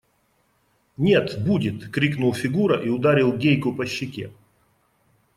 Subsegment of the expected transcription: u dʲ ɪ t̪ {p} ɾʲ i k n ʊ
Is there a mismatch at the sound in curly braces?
yes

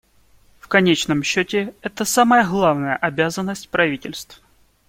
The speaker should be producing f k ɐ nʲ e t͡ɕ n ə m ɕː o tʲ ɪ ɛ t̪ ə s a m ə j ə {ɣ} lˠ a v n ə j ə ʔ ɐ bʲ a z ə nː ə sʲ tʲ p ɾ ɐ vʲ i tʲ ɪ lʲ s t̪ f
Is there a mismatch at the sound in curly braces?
no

